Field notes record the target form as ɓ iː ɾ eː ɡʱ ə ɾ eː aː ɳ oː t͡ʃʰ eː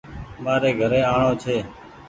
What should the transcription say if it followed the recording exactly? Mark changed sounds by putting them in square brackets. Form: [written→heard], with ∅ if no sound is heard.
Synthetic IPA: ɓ [iː→aː] ɾ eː ɡʱ ə ɾ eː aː ɳ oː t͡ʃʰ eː